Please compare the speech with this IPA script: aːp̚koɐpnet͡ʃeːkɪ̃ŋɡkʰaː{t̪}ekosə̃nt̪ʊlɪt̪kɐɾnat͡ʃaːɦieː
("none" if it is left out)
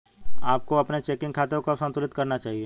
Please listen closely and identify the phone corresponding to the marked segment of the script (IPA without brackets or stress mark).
t̪